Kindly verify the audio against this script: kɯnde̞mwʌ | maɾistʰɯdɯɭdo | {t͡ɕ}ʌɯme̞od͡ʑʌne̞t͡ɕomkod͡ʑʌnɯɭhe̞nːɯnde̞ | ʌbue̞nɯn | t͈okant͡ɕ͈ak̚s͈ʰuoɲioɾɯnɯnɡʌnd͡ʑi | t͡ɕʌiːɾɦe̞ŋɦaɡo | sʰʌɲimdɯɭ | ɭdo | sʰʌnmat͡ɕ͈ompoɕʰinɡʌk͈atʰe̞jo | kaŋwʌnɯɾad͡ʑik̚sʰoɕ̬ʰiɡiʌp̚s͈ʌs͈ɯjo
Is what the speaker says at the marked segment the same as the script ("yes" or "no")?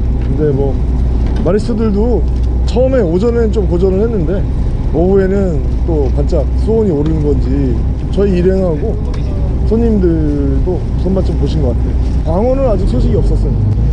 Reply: no